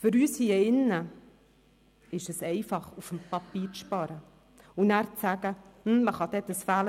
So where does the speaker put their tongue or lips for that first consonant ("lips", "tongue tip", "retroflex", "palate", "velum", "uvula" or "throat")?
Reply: lips